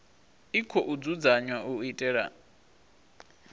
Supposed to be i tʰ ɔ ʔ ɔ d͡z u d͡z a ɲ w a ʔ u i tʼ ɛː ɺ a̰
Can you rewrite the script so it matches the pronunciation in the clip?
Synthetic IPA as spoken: i kʰ ɔ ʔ u d͡z u d͡z a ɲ w a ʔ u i tʼ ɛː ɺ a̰